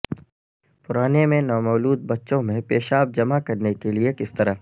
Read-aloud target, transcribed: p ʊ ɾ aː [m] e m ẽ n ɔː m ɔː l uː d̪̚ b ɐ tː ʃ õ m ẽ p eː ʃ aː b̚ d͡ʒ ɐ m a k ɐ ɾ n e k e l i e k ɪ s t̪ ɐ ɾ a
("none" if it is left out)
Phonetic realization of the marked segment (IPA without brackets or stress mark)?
n